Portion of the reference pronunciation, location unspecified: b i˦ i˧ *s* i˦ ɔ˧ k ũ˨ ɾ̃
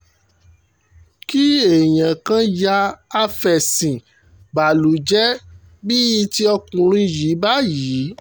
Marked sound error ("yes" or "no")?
yes